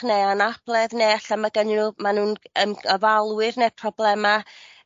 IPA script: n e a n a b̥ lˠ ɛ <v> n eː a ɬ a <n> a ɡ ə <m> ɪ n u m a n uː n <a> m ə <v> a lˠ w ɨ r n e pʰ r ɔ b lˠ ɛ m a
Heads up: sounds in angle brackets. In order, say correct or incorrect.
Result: incorrect, incorrect, incorrect, incorrect, correct

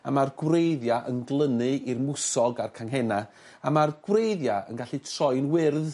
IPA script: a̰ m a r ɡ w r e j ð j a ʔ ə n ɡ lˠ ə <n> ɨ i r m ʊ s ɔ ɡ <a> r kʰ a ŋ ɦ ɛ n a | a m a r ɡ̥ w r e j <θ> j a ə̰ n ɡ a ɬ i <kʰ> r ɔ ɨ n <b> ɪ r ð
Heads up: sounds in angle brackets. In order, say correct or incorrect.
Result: correct, correct, incorrect, incorrect, incorrect

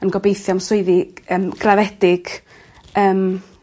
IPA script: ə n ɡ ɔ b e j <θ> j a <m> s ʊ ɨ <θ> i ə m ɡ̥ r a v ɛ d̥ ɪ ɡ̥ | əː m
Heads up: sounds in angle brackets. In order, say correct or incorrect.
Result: correct, correct, incorrect

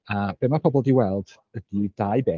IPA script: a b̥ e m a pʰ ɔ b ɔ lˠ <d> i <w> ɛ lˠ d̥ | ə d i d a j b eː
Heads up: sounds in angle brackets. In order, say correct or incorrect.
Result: correct, correct

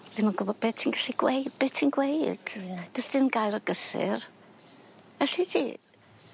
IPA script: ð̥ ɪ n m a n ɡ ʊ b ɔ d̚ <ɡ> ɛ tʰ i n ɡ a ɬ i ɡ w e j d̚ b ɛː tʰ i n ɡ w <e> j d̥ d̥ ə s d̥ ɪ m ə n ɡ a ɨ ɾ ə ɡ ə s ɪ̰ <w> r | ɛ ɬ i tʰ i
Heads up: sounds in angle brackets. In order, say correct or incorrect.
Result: incorrect, correct, incorrect

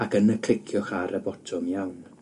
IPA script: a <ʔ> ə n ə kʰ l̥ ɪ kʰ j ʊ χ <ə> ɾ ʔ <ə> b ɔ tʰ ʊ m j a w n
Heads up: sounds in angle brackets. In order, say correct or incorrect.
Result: incorrect, incorrect, correct

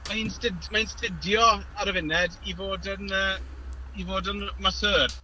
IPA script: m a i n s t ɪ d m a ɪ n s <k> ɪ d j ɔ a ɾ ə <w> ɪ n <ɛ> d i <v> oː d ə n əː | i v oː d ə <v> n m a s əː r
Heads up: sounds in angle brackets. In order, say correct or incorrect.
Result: incorrect, incorrect, correct, correct, incorrect

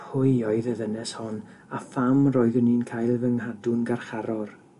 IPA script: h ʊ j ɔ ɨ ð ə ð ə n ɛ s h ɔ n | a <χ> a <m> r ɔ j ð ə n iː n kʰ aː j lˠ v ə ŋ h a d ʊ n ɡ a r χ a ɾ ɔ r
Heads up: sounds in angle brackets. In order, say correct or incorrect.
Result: incorrect, correct

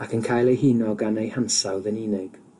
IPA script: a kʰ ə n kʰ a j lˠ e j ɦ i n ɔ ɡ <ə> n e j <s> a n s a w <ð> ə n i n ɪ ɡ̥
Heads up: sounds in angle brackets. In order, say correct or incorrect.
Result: incorrect, incorrect, correct

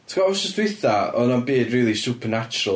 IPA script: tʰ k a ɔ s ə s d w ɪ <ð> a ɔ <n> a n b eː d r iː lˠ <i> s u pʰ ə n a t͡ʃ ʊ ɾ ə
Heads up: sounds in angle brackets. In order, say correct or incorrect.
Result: incorrect, correct, correct

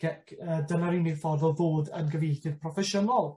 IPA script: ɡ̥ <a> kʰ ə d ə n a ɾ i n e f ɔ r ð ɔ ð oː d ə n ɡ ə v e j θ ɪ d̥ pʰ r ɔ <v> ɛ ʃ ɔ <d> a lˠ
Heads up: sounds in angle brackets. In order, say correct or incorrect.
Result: incorrect, incorrect, incorrect

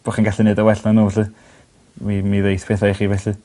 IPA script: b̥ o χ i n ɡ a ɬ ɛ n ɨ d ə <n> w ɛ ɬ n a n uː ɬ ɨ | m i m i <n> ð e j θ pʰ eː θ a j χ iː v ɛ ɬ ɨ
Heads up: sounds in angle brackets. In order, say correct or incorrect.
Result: incorrect, incorrect

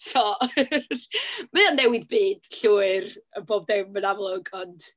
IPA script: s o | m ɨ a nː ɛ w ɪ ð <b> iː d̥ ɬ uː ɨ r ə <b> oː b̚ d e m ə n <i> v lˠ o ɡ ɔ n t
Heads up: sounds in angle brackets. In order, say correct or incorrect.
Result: correct, correct, incorrect

